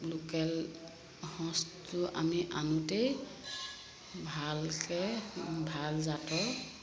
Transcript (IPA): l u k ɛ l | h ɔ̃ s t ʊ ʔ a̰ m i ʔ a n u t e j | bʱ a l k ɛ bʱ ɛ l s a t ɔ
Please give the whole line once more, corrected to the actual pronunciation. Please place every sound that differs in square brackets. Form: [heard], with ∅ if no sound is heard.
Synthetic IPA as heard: l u k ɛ l | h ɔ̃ s t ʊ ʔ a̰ m i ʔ a n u t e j | bʱ a l k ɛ bʱ [a] l [z] a t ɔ

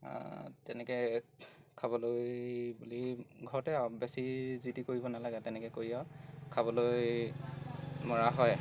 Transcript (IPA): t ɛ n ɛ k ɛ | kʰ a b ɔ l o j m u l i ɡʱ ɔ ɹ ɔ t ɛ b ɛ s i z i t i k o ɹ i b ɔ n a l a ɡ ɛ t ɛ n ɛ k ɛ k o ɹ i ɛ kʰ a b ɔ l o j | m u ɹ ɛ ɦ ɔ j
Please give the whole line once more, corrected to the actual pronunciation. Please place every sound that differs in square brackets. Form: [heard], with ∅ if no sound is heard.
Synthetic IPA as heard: t ɛ n ɛ k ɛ | kʰ a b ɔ l o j [b] u l i ɡʱ ɔ ɹ ɔ t ɛ b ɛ s i z i t i k o ɹ i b ɔ n a l a ɡ ɛ t ɛ n ɛ k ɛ k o ɹ i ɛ kʰ a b ɔ l o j | m [ɔ] ɹ [a] ɦ ɔ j

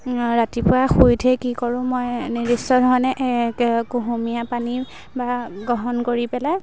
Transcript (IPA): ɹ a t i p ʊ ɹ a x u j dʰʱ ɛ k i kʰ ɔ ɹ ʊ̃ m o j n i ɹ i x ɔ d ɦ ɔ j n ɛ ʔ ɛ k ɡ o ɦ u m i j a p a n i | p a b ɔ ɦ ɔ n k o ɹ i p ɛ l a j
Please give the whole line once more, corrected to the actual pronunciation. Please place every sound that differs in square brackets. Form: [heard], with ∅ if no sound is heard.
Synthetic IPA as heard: ɹ a t i p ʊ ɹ a x u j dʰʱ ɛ k i [k] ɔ ɹ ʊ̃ m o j n i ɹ i [s] ɔ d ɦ ɔ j n ɛ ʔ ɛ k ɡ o ɦ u m i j a p a n i | [b] a [ɡ] ɔ ɦ ɔ n k o ɹ i p ɛ l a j

